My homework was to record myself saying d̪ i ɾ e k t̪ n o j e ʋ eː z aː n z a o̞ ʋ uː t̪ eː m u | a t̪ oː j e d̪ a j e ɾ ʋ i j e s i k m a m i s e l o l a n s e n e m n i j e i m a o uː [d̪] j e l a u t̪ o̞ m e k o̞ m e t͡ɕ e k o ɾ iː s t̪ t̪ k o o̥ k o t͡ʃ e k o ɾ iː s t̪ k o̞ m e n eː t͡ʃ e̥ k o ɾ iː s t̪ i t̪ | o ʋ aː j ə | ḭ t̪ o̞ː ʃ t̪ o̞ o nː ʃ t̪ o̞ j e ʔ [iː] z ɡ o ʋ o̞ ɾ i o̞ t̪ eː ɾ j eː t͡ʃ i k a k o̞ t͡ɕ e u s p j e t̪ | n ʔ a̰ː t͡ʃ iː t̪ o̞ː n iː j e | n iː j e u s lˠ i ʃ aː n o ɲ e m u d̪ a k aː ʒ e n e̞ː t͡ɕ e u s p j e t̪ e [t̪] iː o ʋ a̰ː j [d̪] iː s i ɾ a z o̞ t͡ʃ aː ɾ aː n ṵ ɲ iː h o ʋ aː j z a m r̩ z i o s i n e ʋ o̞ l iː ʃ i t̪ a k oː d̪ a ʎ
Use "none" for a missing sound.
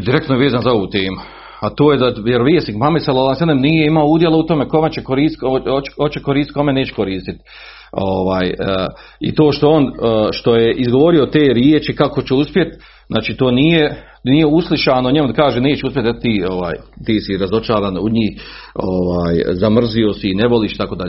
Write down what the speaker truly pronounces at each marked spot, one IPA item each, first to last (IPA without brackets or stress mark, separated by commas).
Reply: d̪, i, t̪, t̪